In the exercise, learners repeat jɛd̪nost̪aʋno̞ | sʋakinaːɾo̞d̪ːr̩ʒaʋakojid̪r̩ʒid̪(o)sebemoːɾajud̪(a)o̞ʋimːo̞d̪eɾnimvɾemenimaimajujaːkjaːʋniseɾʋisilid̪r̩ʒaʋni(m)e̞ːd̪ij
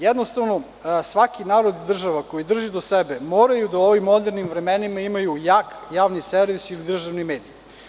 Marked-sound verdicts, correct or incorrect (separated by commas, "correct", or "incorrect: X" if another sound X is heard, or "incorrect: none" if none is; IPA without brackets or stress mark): correct, correct, correct